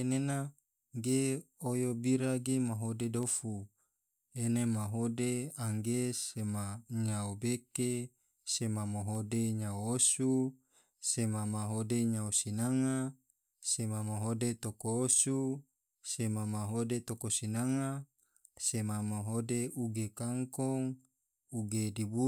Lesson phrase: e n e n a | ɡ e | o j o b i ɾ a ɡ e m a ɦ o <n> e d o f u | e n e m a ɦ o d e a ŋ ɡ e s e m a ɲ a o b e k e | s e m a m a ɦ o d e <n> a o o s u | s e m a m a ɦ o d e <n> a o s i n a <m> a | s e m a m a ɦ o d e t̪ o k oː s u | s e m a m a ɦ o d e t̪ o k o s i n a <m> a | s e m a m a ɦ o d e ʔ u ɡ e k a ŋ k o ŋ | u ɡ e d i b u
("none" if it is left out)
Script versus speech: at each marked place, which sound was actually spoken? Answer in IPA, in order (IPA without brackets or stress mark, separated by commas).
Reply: d, ɲ, ɲ, ŋ, ŋ